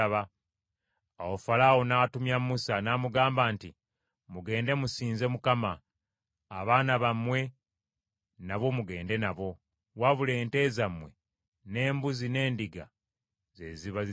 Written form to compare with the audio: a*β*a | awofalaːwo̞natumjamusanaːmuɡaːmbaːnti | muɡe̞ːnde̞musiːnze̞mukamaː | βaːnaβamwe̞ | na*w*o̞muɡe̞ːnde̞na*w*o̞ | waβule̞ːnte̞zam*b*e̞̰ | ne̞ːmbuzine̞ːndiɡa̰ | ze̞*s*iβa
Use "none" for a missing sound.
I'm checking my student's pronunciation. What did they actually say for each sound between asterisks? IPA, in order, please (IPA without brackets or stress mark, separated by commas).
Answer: β, β, β, w, z